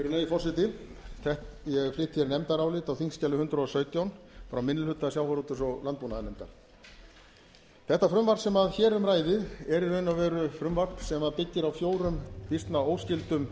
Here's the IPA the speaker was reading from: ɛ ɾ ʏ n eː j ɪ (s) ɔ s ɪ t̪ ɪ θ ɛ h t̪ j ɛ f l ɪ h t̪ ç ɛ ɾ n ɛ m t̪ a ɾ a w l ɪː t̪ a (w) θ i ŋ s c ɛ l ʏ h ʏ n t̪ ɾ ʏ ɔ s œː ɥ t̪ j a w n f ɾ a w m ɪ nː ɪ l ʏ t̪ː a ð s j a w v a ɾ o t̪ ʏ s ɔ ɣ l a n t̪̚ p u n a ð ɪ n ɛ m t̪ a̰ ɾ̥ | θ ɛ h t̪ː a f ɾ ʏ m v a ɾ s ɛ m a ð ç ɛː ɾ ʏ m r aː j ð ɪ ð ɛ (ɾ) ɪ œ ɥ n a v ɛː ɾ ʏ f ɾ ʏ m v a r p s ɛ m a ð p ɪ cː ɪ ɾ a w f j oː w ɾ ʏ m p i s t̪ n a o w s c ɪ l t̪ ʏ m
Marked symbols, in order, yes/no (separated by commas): no, yes, yes